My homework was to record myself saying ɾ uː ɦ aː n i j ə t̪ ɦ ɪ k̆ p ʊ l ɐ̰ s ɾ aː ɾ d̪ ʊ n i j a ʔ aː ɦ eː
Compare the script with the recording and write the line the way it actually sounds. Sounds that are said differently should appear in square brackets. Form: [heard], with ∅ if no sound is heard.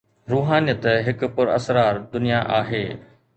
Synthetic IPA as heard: ɾ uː ɦ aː n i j ə t̪ ɦ ɪ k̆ p ʊ [ɾ] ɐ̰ s ɾ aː ɾ d̪ ʊ n i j a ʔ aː ɦ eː